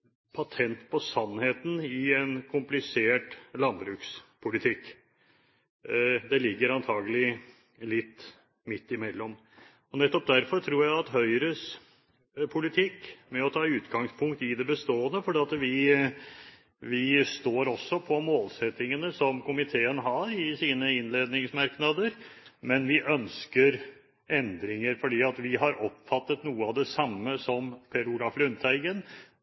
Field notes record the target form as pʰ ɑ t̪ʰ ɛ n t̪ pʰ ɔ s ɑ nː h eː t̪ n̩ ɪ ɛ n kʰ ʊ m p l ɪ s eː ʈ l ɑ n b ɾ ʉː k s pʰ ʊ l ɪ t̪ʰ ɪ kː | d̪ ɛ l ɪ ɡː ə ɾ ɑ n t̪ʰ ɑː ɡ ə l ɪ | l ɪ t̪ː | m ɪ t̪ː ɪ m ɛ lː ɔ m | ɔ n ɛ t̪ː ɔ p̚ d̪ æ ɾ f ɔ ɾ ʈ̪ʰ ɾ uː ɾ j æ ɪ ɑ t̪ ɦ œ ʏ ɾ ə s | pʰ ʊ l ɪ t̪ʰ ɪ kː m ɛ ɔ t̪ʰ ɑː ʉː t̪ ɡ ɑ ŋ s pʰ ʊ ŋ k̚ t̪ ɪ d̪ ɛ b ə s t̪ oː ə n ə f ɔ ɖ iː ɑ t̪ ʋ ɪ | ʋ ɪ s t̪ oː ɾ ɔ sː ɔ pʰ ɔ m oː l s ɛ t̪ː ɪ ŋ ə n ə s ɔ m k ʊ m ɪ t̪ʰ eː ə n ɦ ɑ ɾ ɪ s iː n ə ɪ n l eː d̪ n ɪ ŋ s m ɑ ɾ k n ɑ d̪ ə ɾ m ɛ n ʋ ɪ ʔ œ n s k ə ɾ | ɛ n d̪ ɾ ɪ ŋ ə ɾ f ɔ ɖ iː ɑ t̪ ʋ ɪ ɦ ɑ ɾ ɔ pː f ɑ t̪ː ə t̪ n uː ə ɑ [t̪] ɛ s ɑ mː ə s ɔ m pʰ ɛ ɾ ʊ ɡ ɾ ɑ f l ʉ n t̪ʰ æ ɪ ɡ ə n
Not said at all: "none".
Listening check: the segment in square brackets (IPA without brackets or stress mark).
d̪